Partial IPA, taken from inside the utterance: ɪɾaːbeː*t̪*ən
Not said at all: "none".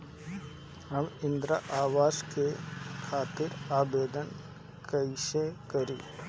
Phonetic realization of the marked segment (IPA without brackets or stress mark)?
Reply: d̪